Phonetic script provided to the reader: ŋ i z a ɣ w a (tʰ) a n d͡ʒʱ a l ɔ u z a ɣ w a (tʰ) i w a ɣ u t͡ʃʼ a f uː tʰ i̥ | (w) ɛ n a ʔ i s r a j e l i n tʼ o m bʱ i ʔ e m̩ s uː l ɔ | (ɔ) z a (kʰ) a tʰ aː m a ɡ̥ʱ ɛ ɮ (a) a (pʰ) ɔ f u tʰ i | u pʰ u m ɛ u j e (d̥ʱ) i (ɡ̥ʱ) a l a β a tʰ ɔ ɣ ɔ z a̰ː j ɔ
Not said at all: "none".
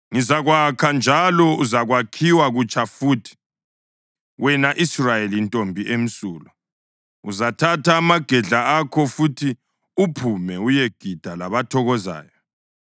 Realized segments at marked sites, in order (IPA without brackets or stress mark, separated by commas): kʰ, kʰ, w, u, tʰ, a, kʰ, ɡ̥ʱ, d̥ʱ